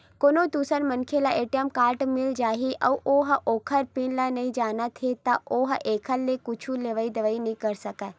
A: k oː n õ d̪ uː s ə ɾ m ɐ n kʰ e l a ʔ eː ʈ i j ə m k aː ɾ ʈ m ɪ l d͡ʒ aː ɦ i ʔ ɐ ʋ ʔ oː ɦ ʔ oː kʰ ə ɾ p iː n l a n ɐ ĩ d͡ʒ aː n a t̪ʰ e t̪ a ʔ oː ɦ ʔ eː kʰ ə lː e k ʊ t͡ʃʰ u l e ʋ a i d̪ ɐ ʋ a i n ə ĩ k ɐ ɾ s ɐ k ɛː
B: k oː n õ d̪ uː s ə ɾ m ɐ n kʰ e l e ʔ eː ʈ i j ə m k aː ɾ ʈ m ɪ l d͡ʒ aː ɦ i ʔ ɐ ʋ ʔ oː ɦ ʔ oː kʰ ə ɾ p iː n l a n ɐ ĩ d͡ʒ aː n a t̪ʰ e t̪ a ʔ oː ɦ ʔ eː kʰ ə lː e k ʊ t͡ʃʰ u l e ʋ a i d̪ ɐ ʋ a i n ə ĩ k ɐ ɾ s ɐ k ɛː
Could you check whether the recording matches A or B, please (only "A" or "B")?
A